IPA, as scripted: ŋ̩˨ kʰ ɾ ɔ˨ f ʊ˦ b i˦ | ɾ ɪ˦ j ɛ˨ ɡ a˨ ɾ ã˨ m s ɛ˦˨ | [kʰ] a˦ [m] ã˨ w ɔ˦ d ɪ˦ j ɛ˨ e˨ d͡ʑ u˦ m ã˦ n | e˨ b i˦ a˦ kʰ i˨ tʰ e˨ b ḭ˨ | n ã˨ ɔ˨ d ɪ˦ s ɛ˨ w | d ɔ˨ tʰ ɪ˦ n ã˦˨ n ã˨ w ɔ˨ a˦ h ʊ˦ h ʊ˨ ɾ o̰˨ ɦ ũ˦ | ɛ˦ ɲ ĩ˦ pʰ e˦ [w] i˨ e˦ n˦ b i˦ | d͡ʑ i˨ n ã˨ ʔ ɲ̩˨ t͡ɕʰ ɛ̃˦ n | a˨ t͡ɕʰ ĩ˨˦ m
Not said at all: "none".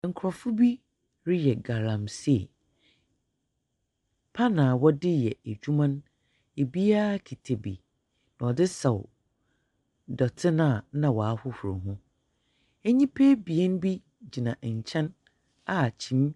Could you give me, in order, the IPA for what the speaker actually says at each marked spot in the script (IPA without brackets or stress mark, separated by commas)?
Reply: pʰ, n, b